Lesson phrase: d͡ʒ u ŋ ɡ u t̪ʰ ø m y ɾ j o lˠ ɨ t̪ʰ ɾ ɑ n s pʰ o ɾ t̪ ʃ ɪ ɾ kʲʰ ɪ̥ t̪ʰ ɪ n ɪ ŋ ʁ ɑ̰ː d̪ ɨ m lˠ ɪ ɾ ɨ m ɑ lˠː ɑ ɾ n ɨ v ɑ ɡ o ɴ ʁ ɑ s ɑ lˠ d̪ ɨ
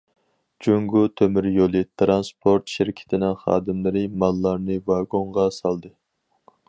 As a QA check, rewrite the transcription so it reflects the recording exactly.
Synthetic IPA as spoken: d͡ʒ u ŋ ɡ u t̪ʰ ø m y ɾ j o lˠ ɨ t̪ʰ ɾ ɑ n s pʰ o ɾ t̪ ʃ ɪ ɾ kʲʰ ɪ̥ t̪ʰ ɪ n ɪ ŋ χ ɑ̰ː d̪ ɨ m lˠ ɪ ɾ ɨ m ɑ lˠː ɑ ɾ n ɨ v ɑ ɡ o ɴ ʁ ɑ s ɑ lˠ d̪ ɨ